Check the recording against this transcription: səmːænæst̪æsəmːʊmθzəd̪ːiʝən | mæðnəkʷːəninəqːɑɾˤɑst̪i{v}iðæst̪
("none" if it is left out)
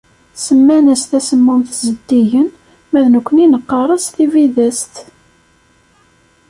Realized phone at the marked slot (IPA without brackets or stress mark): v